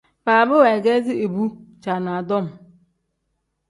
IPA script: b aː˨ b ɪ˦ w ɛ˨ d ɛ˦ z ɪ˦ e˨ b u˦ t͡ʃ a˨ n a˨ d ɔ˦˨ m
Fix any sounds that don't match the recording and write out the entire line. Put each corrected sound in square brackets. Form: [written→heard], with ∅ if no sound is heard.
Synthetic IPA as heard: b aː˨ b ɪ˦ w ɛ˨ [d→ɡ] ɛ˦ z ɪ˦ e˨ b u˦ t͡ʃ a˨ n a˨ d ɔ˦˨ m